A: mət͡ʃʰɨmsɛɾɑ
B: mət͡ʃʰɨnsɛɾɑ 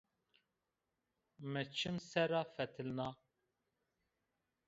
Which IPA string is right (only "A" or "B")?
A